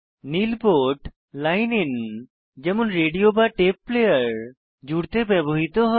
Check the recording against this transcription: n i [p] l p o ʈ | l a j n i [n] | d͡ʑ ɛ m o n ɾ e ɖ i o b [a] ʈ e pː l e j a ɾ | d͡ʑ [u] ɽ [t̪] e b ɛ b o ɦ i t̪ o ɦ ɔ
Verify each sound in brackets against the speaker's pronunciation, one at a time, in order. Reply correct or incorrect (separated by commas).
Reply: incorrect, correct, correct, correct, correct